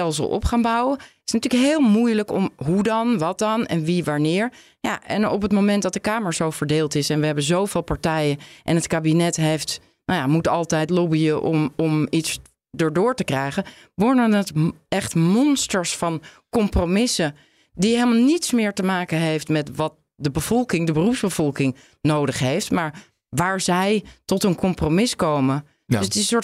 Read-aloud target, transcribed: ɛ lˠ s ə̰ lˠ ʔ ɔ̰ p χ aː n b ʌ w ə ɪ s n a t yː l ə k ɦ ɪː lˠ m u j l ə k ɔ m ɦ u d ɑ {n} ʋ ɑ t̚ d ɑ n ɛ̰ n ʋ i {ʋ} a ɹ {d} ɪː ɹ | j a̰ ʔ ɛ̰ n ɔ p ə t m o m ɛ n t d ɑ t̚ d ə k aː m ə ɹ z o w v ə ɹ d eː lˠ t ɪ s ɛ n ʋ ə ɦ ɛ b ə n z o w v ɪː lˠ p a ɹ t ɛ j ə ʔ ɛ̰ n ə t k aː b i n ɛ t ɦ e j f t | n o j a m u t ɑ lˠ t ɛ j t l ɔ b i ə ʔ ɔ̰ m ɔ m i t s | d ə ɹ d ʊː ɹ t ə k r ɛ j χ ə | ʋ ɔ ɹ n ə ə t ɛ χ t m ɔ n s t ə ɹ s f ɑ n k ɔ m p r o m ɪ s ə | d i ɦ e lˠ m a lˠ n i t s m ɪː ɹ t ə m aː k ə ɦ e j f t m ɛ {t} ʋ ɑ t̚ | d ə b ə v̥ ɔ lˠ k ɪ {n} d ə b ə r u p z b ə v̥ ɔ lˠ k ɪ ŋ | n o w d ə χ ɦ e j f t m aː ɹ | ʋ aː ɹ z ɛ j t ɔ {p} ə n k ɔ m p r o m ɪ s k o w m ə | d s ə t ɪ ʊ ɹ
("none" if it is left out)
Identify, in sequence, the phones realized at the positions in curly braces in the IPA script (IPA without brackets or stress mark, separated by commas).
n, ʋ, n, t, ŋ, t